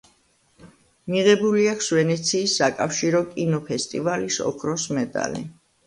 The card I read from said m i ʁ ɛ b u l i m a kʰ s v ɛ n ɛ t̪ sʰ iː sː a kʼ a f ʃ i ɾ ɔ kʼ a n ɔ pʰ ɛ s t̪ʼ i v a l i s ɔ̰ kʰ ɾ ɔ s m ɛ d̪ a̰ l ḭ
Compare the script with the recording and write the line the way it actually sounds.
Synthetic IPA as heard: m i ʁ ɛ b u l i a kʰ s v ɛ n ɛ t̪ sʰ iː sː a kʼ a f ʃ i ɾ ɔ kʼ i n ɔ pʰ ɛ s t̪ʼ i v a l i s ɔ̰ kʰ ɾ ɔ s m ɛ d̪ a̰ l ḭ